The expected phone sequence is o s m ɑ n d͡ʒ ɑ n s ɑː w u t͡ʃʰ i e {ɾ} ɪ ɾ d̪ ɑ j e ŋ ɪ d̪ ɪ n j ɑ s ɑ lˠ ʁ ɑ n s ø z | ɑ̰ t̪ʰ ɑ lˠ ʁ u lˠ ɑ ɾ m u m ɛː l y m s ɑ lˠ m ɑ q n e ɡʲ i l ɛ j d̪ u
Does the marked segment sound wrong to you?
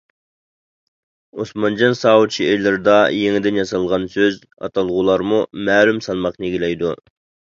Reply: yes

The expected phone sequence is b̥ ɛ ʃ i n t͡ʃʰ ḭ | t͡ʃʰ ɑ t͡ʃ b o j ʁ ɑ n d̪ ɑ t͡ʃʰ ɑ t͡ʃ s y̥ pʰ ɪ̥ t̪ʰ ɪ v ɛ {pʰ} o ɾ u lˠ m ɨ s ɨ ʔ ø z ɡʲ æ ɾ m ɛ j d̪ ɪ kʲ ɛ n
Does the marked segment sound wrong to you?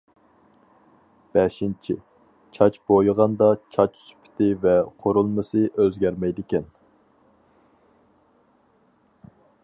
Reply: yes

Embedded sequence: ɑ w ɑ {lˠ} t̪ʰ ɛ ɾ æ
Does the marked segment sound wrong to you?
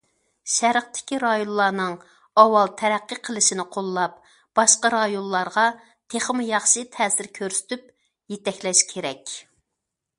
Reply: no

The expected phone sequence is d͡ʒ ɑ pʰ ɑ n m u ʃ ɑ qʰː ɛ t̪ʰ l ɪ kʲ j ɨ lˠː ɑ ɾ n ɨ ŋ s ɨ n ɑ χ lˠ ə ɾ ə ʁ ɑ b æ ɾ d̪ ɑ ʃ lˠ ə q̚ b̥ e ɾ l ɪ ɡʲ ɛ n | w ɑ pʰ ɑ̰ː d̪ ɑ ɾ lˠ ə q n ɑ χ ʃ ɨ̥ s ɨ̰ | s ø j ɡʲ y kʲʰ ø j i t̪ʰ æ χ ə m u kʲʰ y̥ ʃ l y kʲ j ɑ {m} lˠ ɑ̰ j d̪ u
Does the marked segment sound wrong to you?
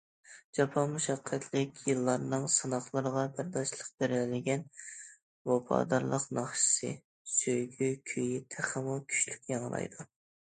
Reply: yes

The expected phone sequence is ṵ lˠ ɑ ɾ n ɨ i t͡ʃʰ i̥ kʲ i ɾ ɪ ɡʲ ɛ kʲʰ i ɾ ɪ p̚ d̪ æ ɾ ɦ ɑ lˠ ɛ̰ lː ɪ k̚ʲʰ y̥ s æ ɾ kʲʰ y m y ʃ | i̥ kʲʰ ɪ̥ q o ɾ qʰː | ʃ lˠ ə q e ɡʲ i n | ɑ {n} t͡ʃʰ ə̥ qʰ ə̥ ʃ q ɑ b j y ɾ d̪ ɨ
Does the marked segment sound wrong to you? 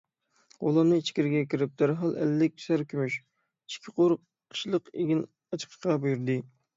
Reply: yes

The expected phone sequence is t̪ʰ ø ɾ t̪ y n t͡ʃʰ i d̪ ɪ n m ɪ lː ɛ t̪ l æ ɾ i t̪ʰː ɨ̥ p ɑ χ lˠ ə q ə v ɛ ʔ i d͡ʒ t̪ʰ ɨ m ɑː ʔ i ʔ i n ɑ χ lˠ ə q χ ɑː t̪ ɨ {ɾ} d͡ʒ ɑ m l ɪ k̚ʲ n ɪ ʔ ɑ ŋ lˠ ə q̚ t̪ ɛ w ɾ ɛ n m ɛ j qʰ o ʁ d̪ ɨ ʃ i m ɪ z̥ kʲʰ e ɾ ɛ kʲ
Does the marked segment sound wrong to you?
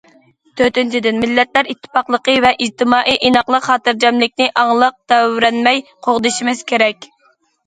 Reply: no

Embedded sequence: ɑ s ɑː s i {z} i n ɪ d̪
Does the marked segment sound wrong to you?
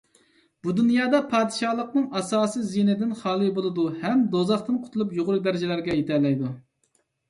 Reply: no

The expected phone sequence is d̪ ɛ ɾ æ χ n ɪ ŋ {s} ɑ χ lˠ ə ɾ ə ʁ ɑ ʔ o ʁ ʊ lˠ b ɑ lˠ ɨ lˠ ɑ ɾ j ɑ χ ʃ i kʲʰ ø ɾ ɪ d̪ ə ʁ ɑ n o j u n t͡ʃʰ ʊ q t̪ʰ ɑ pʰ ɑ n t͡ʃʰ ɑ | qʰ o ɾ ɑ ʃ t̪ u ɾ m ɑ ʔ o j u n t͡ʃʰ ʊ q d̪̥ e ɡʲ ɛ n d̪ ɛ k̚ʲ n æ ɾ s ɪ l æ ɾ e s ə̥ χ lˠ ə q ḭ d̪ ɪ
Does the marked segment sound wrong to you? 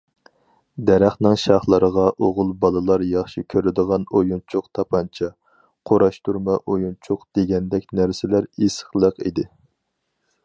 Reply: yes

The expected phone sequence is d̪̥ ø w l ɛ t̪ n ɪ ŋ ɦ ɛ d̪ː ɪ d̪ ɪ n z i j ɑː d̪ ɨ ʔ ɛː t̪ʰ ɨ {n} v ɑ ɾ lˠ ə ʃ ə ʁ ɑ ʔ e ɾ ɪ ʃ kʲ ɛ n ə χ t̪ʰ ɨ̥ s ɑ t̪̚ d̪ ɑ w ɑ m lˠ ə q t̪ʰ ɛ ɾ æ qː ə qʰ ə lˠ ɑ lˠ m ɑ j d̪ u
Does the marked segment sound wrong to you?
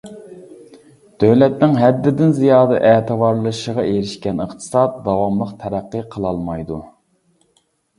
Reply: yes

